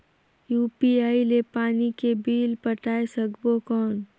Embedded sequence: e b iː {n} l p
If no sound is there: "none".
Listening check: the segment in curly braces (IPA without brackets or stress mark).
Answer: none